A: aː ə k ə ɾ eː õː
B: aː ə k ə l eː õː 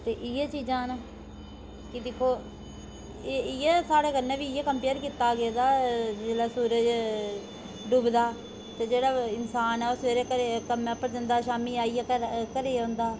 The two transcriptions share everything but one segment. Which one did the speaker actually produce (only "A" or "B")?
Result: A